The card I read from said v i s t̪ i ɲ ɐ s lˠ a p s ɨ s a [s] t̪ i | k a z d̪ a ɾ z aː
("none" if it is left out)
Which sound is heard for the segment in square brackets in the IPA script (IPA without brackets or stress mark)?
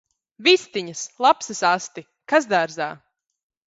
s